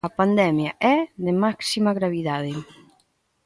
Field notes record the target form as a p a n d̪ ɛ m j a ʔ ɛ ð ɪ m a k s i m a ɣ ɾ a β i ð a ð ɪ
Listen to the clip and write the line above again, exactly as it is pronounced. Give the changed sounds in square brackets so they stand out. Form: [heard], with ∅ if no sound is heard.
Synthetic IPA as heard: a p a n d̪ ɛ m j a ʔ ɛ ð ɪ m a k s i m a ɣ ɾ a β i ð a ð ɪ